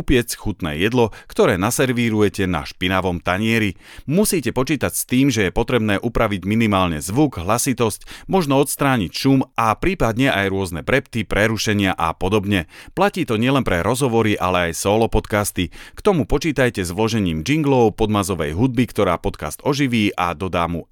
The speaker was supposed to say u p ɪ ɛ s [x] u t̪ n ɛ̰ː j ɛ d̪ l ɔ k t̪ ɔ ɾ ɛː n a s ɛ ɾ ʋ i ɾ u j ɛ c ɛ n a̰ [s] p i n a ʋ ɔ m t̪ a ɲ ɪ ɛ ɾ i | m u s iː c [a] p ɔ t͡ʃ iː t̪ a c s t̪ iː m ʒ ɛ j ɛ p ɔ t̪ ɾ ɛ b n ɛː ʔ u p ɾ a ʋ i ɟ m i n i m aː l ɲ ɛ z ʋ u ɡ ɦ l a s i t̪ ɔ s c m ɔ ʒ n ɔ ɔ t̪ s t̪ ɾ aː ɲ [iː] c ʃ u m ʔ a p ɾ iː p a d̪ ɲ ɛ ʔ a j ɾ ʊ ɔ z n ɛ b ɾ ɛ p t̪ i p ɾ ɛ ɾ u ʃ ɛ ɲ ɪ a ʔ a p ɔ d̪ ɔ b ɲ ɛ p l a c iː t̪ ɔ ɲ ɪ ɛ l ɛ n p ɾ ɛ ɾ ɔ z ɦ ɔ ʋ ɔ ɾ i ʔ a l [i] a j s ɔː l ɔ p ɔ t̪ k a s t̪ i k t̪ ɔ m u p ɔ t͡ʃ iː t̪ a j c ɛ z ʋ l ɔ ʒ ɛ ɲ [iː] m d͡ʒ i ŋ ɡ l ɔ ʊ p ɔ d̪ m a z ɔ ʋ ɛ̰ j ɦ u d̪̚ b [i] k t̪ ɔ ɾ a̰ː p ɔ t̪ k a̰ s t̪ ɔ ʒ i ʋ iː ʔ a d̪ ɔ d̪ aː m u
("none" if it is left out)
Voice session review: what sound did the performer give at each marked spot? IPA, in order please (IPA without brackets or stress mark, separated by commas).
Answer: x, ʃ, ɛ, i, ɛ, iː, i